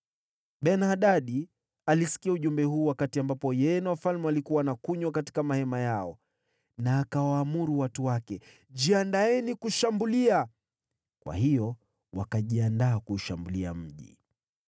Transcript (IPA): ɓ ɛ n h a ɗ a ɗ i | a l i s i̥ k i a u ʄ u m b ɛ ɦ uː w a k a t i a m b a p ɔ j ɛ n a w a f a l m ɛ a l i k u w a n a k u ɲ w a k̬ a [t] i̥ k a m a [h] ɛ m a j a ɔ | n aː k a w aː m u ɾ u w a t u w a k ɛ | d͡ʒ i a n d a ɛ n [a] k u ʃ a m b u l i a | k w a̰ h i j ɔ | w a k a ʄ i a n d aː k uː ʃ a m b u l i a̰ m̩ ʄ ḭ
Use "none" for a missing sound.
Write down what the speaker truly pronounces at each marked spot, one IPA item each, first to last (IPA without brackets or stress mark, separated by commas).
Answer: t, h, i